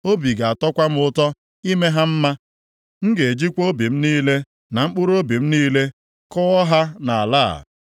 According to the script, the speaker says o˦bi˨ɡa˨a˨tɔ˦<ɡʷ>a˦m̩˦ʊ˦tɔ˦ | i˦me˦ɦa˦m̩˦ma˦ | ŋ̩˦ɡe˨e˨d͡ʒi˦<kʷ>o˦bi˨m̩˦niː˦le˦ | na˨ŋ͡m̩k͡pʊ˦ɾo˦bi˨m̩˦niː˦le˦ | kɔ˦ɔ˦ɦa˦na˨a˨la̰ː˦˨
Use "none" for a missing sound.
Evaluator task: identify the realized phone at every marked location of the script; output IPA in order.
kʷ, kʷ

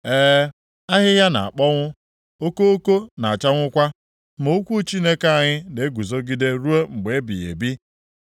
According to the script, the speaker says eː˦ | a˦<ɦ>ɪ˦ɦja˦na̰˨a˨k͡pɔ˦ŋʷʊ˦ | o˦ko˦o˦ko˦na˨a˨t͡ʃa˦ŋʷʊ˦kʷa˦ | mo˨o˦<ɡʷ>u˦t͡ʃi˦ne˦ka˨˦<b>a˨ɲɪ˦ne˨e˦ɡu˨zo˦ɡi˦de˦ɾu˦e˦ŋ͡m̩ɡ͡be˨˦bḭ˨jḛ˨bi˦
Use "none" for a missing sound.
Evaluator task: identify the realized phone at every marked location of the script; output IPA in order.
ɦ, kʷ, none

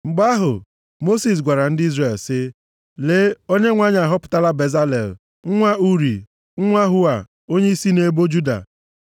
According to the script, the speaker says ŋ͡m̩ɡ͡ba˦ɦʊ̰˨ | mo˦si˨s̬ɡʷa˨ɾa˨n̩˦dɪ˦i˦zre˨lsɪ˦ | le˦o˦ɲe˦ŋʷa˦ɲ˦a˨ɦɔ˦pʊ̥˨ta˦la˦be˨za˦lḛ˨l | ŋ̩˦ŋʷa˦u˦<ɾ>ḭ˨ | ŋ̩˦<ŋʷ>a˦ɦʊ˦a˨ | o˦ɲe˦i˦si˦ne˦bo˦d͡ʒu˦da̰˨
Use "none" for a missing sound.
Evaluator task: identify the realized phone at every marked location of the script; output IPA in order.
ɾ, ŋʷ

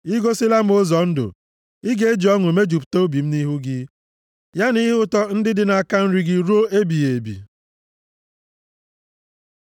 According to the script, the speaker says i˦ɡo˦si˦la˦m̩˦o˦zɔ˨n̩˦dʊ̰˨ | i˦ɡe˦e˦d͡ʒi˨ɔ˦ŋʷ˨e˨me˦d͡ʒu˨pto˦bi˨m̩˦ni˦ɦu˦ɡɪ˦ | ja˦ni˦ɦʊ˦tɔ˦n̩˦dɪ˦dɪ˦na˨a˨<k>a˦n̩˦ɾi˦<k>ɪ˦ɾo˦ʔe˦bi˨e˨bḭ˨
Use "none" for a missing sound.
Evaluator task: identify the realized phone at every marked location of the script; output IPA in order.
k, ɡ

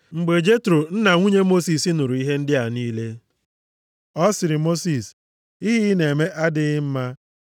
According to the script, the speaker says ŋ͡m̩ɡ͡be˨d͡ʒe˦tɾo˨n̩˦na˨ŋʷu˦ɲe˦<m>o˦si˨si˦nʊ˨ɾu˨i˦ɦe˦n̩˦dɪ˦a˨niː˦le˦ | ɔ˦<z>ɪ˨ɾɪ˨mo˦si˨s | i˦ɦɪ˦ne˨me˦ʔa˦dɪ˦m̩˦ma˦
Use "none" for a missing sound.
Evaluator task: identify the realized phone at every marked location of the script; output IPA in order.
m, s

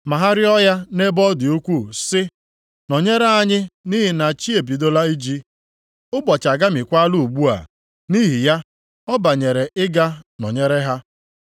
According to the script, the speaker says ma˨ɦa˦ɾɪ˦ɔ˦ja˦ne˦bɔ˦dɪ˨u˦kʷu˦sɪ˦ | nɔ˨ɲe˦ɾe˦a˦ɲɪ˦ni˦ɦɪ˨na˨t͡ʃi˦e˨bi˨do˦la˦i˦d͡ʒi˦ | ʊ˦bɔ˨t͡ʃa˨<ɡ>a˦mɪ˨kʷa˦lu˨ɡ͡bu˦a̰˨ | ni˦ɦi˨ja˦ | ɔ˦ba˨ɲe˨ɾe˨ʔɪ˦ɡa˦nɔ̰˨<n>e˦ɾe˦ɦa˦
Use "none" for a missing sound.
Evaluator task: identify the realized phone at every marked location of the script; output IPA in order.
ɡ, ɲ

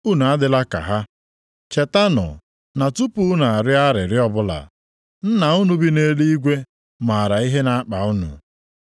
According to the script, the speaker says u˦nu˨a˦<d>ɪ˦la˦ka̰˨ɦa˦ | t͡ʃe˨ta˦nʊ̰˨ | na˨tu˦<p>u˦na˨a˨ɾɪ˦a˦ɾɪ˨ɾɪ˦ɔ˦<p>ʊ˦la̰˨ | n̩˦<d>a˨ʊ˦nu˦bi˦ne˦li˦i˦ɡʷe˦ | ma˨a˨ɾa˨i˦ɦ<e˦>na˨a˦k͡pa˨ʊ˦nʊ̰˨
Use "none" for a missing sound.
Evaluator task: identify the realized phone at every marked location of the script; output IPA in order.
d, p, b, n, e˦

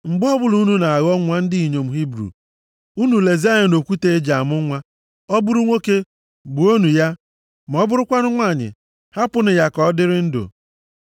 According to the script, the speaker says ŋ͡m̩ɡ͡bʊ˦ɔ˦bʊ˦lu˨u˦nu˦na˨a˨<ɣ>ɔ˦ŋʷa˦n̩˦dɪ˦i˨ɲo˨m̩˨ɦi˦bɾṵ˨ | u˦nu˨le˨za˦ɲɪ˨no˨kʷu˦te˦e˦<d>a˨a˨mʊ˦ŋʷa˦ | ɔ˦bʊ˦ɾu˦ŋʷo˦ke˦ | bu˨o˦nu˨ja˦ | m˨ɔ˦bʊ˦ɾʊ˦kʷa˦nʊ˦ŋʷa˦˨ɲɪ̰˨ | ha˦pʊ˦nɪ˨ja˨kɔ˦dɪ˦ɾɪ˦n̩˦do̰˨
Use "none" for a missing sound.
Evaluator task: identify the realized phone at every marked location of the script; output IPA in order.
ɣ, d͡ʒ

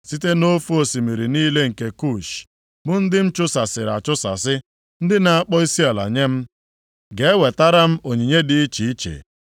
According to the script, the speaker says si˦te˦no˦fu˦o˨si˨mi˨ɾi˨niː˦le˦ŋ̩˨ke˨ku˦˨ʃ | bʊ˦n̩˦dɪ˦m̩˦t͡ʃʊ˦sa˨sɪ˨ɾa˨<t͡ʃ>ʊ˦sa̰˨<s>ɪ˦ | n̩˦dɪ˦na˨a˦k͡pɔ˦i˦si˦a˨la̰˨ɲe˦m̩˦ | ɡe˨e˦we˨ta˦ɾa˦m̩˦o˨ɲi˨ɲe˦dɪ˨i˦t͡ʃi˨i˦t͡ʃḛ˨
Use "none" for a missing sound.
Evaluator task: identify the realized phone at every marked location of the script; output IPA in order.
t͡ʃ, s

